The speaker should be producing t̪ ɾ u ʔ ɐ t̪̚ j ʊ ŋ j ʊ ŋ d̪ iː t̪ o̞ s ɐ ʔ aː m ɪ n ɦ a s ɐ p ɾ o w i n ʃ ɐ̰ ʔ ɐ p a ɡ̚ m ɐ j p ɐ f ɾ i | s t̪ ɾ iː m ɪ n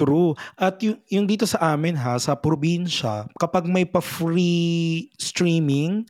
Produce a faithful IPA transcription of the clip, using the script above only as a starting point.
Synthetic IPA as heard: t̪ ɾ u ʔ ɐ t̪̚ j ʊ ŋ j ʊ ŋ d̪ iː t̪ o̞ s ɐ ʔ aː m ɪ n ɦ a s ɐ p ɾ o b i n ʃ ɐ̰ k ɐ p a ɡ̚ m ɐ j p ɐ f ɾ i | s t̪ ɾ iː m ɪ ŋ